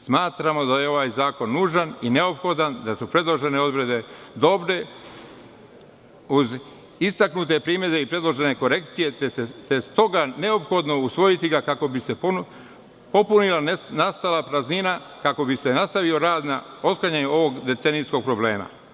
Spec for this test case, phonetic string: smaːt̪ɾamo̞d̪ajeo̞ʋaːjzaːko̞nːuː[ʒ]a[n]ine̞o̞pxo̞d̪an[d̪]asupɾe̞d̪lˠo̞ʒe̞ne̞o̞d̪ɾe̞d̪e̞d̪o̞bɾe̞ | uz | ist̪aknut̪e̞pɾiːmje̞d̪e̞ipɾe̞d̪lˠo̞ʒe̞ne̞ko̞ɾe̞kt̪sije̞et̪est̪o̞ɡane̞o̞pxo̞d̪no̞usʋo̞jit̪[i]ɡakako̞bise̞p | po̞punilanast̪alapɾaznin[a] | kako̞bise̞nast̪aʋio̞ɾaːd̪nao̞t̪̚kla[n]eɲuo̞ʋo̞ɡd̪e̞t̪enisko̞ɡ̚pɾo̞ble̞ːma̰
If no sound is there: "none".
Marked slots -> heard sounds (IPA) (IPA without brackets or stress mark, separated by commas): ʒ, n, d̪, i, a, ɲ